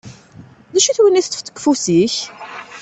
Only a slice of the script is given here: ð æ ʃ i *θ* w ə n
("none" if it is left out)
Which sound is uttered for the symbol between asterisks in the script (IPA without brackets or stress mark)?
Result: θ